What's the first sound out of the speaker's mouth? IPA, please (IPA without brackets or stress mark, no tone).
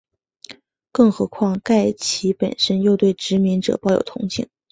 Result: k